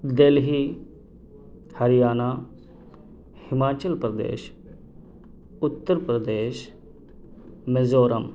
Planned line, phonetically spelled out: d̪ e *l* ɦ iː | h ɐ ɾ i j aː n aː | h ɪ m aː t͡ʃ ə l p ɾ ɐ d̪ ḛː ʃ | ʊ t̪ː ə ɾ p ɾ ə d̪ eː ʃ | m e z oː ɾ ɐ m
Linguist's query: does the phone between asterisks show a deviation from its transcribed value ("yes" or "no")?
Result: no